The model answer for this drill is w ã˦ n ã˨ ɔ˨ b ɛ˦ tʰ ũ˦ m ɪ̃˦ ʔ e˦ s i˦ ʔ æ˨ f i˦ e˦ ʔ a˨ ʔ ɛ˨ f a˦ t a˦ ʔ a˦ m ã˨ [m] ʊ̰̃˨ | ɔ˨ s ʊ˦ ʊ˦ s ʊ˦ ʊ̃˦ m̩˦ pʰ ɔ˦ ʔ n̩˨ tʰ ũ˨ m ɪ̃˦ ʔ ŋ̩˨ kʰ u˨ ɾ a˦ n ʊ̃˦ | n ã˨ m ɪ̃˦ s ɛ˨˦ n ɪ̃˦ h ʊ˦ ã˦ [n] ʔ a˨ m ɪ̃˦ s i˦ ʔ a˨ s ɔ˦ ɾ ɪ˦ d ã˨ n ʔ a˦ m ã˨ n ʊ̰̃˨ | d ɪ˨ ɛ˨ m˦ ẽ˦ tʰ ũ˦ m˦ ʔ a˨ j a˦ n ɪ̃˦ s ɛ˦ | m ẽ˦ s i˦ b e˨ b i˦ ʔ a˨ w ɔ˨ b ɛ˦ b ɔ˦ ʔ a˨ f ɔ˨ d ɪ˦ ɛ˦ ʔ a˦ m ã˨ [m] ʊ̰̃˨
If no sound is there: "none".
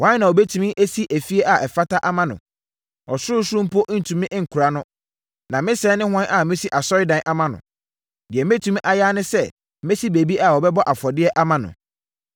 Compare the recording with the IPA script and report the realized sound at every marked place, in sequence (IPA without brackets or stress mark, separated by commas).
n, n, n